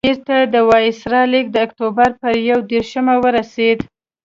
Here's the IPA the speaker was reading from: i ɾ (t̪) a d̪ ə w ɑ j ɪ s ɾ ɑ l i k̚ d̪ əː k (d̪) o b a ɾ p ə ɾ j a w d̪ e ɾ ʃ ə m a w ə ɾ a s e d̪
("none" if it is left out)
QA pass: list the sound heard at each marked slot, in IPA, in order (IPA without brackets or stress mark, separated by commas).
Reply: t̪, t̪